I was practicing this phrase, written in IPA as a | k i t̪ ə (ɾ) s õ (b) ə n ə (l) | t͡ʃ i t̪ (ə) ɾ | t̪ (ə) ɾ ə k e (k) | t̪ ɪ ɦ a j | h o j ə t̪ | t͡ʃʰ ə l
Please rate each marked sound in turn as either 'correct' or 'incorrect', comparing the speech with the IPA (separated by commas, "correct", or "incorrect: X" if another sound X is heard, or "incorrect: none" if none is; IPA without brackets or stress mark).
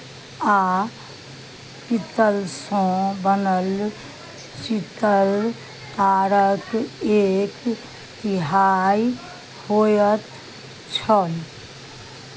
incorrect: l, correct, correct, correct, incorrect: a, correct